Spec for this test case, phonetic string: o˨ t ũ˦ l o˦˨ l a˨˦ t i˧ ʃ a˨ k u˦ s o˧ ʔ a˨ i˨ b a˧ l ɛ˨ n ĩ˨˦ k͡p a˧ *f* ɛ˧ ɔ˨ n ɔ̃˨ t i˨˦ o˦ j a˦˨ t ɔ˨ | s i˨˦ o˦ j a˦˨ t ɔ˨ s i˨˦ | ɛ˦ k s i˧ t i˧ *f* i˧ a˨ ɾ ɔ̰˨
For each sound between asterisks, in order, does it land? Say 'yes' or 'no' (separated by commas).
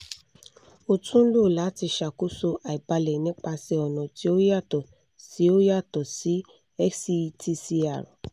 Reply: no, no